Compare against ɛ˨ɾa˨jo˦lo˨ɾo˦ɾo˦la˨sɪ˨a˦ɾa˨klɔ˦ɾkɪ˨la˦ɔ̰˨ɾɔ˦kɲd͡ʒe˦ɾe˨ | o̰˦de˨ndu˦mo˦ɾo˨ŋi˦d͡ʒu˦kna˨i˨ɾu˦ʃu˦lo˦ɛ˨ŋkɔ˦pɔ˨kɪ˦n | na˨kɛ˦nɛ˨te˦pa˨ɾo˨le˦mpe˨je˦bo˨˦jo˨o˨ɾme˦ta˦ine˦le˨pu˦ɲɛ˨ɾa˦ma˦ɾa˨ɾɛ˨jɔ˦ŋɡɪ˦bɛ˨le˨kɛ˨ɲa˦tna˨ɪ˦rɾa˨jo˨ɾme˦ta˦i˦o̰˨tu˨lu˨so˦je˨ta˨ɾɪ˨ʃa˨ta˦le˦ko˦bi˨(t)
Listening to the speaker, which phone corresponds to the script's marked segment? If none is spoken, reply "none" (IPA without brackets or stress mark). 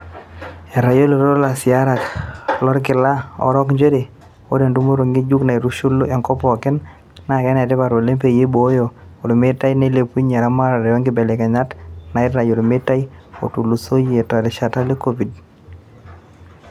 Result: d